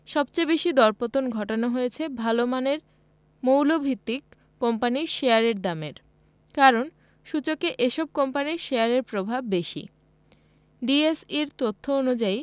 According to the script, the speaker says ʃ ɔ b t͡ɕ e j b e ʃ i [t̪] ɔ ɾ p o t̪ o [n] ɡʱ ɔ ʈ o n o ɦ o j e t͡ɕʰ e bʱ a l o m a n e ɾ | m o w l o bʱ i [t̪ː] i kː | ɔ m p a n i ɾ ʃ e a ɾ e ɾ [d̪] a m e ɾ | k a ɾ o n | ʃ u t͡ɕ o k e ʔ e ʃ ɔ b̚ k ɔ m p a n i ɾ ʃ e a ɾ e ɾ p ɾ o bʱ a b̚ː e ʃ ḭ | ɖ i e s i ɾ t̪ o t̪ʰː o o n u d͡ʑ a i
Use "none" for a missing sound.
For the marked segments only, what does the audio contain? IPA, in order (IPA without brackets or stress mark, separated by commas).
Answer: d̪, n, t̪ː, d̪